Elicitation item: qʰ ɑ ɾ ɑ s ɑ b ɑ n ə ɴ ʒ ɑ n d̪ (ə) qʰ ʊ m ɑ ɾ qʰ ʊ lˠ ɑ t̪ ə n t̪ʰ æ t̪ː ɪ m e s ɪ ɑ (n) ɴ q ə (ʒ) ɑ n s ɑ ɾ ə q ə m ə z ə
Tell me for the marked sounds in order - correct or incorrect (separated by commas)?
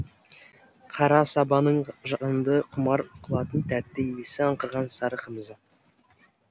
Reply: correct, incorrect, incorrect